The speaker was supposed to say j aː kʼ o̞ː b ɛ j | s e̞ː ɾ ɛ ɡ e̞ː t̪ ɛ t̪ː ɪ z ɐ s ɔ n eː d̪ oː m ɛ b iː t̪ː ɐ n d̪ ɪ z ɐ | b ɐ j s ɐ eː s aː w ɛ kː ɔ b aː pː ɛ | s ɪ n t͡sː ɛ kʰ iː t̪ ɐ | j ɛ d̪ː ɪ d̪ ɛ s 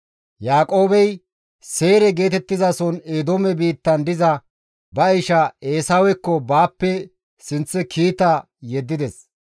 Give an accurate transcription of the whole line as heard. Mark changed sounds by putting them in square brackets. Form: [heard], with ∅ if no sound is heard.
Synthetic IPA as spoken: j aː kʼ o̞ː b ɛ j | s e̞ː ɾ ɛ ɡ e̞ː t̪ ɛ t̪ː ɪ z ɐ s ɔ n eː d̪ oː m ɛ b iː t̪ː ɐ n d̪ ɪ z ɐ | b ɐ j [ʃ] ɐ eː s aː w ɛ kː ɔ b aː pː ɛ | s ɪ n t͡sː ɛ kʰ iː t̪ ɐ | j ɛ d̪ː ɪ d̪ ɛ s

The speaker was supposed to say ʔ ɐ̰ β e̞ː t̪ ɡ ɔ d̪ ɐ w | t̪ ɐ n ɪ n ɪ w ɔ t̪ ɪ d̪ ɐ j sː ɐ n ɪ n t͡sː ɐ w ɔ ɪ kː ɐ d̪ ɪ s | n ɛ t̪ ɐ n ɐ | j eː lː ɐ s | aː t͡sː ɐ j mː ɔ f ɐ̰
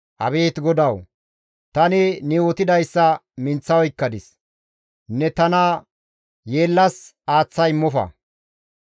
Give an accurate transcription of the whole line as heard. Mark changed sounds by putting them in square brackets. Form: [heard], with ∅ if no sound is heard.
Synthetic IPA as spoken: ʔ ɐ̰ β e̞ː t̪ ɡ ɔ d̪ ɐ w | t̪ ɐ n ɪ n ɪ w ɔ t̪ ɪ d̪ ɐ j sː ɐ [m] ɪ n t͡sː ɐ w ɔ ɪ kː ɐ d̪ ɪ s | n ɛ t̪ ɐ n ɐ | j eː lː ɐ s | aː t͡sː ɐ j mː ɔ f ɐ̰

